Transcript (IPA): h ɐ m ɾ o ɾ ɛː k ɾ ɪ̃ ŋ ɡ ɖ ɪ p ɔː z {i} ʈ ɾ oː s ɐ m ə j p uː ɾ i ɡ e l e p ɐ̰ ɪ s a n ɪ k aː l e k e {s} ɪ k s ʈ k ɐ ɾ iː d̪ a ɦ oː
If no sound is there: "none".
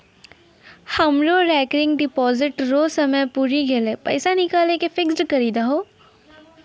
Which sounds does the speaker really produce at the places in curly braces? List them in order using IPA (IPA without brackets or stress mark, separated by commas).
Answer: ɪ, f